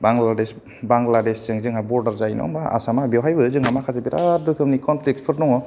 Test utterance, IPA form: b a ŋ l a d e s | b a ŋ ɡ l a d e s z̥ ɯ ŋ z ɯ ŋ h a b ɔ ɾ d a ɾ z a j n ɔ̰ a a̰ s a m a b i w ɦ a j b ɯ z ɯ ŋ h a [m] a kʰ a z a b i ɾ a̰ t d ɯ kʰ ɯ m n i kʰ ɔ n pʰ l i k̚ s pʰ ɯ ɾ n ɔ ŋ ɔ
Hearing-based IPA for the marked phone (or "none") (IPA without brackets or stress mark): m